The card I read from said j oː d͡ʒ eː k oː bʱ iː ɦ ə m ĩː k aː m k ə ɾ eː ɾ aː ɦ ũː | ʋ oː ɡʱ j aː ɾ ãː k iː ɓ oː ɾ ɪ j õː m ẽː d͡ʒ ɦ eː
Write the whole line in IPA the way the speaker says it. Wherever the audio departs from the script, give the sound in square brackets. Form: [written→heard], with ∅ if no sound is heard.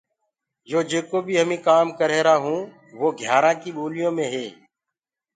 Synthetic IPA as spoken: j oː d͡ʒ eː k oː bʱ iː ɦ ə m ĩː k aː m k ə ɾ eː ɾ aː ɦ ũː | ʋ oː ɡʱ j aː ɾ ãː k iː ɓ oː [ɾ→l] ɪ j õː m ẽː [d͡ʒ→∅] ɦ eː

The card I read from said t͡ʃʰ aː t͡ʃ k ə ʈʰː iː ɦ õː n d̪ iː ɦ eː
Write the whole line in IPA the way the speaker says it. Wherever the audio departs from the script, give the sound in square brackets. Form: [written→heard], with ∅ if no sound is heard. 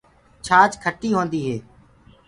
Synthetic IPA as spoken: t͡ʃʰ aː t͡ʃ [k→kʰ] ə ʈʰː iː ɦ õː n d̪ iː ɦ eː

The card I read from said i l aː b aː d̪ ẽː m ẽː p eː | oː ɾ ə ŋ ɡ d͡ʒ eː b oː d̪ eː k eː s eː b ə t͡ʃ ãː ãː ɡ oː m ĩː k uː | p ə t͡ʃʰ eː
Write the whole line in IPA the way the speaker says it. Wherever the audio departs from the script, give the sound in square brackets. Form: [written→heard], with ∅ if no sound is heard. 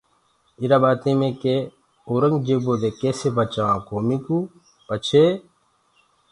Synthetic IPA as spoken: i [l→ɾ] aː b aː [d̪→t̪] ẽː m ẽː [p→k] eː | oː ɾ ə ŋ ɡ d͡ʒ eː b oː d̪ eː k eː s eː b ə t͡ʃ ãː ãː [ɡ→k] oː m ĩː k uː | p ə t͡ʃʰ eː

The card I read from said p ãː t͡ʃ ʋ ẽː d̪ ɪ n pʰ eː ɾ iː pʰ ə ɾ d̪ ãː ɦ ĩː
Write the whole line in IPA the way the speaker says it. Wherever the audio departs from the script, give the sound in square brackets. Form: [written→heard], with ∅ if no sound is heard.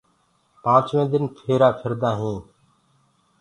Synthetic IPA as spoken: p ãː t͡ʃ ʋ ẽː d̪ ɪ n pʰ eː ɾ [iː→aː] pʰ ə ɾ d̪ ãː ɦ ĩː

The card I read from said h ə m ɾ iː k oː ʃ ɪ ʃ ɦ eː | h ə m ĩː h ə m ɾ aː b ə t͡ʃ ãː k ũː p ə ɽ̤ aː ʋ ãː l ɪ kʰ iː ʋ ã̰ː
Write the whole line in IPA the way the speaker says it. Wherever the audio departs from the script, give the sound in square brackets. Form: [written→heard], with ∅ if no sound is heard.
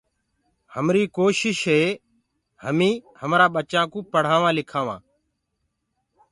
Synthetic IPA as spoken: h ə m ɾ iː k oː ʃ ɪ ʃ ɦ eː | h ə m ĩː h ə m ɾ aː [b→ɓ] ə t͡ʃ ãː k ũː p ə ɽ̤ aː ʋ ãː l ɪ kʰ [iː→aː] ʋ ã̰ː

